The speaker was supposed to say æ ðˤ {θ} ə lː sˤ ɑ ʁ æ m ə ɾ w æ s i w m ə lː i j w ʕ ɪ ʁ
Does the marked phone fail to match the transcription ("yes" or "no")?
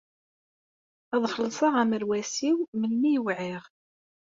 yes